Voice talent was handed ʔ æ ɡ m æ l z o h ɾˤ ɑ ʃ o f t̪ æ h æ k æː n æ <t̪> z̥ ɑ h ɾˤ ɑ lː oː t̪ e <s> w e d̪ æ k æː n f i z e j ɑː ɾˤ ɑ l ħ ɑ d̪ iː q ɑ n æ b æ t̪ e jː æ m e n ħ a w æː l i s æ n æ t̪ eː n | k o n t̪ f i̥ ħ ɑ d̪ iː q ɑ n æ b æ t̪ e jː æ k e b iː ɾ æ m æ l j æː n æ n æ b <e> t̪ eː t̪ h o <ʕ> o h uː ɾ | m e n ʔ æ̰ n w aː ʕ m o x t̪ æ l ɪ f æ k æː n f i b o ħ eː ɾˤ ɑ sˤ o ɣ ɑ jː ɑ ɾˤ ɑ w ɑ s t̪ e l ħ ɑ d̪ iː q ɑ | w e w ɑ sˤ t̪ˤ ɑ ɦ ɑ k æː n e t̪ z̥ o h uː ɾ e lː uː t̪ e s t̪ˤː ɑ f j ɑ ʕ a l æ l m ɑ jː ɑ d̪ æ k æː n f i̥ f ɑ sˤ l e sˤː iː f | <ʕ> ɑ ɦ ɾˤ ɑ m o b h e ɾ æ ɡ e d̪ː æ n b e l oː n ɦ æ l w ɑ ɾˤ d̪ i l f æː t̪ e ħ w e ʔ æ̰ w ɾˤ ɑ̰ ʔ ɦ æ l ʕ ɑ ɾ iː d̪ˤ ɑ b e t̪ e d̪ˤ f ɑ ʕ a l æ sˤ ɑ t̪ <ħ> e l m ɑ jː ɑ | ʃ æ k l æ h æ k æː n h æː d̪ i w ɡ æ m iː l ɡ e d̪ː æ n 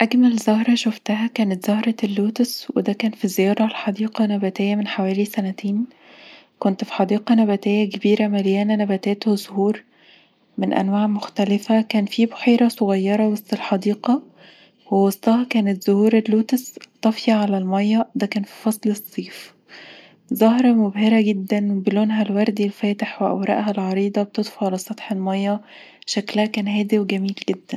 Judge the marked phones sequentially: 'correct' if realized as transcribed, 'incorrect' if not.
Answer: correct, correct, incorrect: æ, incorrect: z, incorrect: z, correct

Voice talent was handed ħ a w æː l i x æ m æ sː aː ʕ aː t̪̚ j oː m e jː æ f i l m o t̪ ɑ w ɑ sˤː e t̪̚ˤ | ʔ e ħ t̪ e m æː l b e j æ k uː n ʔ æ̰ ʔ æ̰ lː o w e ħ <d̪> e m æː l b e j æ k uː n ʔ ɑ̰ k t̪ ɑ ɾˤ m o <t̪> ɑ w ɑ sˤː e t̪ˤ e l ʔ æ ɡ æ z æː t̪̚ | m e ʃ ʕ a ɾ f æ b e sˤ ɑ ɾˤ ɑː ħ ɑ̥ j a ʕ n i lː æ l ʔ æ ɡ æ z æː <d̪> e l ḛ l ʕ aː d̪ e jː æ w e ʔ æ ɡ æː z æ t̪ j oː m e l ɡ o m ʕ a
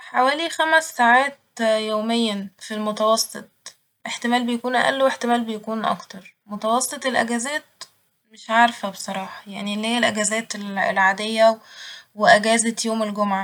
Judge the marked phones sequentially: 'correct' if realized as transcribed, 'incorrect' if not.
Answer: incorrect: t̪, correct, incorrect: t̪

